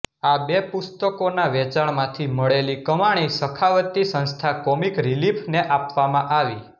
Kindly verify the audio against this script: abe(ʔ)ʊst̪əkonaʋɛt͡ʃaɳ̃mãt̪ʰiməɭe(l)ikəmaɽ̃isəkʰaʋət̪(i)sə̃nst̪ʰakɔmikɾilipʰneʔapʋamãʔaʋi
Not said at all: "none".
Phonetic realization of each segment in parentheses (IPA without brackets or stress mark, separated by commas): p, l, i